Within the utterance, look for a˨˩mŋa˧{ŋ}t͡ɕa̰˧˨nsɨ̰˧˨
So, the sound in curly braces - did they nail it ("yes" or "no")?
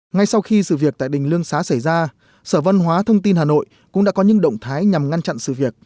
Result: no